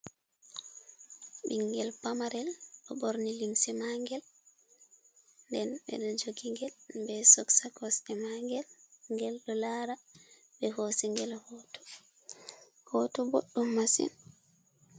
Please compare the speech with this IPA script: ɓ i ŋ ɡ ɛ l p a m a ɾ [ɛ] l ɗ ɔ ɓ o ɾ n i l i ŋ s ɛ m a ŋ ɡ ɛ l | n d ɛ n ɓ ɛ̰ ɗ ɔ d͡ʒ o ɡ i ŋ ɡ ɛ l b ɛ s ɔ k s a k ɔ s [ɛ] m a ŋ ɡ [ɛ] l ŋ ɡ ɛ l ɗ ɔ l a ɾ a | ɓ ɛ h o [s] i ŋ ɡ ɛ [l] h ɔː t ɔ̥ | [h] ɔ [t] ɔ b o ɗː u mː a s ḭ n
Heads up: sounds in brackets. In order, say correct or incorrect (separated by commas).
correct, correct, correct, correct, correct, correct, correct